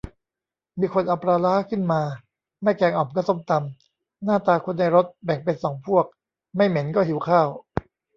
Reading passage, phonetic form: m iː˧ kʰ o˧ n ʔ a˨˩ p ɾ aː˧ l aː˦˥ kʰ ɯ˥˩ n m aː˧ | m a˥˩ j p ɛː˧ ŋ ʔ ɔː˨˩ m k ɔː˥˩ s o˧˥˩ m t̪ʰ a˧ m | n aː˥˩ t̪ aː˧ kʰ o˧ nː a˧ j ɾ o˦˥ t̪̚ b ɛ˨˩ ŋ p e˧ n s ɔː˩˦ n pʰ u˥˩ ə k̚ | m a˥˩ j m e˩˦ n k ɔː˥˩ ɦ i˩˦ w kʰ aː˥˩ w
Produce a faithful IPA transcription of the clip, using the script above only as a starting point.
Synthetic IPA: m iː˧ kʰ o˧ n ʔ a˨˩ p ɾ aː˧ l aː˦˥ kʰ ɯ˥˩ n m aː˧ | m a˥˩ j k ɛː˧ ŋ ʔ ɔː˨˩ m k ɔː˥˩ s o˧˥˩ m t̪ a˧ m | n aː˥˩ t̪ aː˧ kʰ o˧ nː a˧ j ɾ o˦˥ t̪̚ b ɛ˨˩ ŋ p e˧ n s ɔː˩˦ ŋ pʰ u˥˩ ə k̚ | m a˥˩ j m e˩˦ n k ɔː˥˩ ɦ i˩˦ w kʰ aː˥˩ w

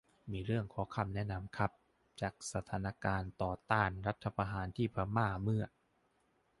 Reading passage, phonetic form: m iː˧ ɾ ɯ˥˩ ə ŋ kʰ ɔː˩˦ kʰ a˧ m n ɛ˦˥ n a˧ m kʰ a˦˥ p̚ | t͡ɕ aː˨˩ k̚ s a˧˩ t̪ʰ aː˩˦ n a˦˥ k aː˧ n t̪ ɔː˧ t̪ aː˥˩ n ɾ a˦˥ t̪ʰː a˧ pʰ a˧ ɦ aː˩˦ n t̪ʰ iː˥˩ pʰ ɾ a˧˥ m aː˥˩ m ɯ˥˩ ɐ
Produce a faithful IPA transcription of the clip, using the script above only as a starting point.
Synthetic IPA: m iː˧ ɾ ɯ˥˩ ə ŋ kʰ ɔː˩˦ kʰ a˧ m n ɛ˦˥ n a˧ m kʰ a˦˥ p̚ | t͡ɕ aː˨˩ k̚ s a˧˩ t̪ʰ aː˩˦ n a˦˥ k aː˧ n t̪ ɔː˨˩ t̪ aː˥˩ n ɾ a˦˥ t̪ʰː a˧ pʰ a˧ ɦ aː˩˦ n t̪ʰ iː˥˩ pʰ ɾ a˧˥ m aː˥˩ m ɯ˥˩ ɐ

